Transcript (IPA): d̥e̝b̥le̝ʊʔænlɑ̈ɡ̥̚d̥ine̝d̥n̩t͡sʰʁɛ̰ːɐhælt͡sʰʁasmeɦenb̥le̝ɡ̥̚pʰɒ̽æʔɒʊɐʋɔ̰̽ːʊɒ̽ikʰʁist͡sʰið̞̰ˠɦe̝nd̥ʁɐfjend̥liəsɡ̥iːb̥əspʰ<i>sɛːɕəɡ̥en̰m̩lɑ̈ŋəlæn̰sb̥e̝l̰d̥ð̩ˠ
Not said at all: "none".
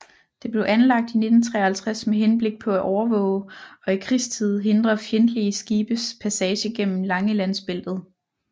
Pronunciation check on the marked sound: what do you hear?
æ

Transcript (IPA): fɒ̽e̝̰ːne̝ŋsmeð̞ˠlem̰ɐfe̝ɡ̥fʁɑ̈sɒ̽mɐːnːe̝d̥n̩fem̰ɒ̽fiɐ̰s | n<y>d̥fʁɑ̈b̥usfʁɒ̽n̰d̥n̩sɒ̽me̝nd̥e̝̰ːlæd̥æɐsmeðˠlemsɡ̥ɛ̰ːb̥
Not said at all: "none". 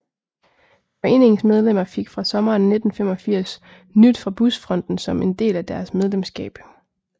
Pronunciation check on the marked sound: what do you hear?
y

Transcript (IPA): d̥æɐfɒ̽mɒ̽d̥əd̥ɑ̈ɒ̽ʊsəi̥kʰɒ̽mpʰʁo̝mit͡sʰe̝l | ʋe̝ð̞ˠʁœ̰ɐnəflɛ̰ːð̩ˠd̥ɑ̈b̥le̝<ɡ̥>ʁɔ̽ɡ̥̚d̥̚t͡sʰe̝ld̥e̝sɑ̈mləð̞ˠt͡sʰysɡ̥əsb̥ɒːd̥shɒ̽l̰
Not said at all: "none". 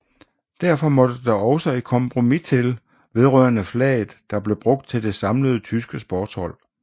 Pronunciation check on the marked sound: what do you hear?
b̥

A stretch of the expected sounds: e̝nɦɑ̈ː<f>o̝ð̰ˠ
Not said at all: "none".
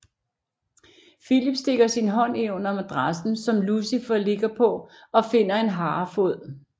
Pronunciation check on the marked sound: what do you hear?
f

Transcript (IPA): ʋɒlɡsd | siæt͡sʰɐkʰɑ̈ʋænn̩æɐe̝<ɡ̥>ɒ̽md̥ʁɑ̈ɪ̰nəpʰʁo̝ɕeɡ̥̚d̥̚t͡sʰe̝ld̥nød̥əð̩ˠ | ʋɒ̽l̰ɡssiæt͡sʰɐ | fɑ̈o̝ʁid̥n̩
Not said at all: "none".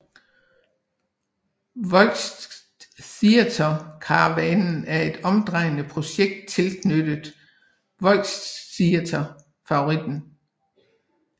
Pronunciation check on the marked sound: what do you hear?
d̥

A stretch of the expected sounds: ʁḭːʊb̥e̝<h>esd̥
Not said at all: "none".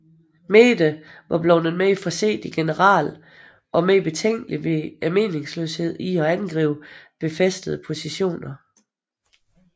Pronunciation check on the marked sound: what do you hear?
f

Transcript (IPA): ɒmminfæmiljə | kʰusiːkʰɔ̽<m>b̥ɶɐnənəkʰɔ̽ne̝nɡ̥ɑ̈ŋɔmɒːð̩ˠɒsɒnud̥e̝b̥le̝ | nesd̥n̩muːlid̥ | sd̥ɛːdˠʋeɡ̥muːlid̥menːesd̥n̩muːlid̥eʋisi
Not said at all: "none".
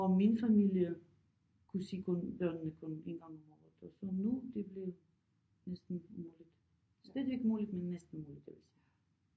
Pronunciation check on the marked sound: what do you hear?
n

